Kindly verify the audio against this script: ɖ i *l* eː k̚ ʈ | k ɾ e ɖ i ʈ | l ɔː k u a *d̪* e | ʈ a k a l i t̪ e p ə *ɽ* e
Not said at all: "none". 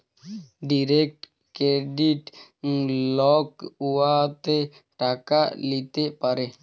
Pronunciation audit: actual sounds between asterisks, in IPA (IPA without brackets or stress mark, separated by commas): ɾ, t̪, ɾ